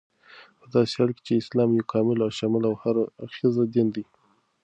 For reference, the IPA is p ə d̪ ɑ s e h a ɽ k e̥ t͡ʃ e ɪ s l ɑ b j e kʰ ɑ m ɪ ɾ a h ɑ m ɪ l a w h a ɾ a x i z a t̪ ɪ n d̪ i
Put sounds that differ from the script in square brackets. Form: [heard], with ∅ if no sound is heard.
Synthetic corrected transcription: p ə d̪ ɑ s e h a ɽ k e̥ t͡ʃ e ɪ s l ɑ [m] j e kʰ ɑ m ɪ [l] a [ʃ] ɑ m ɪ l a w h a ɾ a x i z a [d̪] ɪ n d̪ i